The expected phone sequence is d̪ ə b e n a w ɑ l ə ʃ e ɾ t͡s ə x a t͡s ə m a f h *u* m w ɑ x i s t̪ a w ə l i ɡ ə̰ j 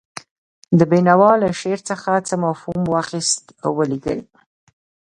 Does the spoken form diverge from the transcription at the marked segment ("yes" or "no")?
no